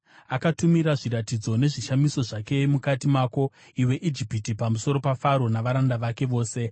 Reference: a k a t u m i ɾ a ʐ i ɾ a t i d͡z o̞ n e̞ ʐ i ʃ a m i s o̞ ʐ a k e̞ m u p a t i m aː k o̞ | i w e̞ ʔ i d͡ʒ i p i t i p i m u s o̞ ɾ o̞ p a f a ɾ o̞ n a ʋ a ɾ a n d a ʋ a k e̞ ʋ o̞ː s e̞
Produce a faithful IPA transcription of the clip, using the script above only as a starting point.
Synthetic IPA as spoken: a k a t u m i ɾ a ʐ i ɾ a t i d͡z o̞ n e̞ ʐ i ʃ a m i s o̞ ʐ a k e̞ m u k a t i m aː k o̞ | i w e̞ ʔ i d͡ʒ i p i t i p a m u s o̞ ɾ o̞ p a f a ɾ o̞ n a ʋ a ɾ a n d a ʋ a k e̞ ʋ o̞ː s e̞